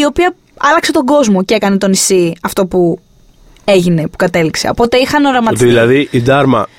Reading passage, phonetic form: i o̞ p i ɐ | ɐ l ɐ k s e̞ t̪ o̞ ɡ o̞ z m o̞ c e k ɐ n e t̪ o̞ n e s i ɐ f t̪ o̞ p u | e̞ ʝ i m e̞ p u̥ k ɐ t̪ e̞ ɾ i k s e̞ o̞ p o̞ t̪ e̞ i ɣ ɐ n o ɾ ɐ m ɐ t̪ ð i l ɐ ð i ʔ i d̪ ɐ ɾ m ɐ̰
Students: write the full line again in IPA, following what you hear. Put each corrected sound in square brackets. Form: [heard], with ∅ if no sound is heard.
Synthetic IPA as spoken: i o̞ p i ɐ | ɐ l ɐ k s e̞ t̪ o̞ ɡ o̞ z m o̞ c e k ɐ n e t̪ o̞ n [i] s i ɐ f t̪ o̞ p u | e̞ ʝ i [n] e̞ p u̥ k ɐ t̪ e̞ [l] i k s e̞ o̞ p o̞ t̪ e̞ i [x] ɐ n o ɾ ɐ m ɐ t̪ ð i l ɐ ð i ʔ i d̪ ɐ ɾ m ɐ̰